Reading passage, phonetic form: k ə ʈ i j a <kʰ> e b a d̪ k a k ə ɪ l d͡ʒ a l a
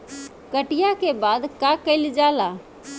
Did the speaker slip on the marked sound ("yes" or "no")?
yes